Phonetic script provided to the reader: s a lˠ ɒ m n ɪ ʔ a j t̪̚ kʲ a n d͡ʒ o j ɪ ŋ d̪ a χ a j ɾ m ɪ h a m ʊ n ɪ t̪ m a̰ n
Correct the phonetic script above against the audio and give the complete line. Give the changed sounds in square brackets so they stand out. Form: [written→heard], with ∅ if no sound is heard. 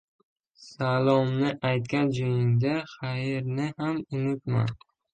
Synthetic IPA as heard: s a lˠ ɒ m n ɪ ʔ a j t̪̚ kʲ a n d͡ʒ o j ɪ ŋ d̪ a χ a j ɾ [m→n] ɪ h a m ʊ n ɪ t̪ m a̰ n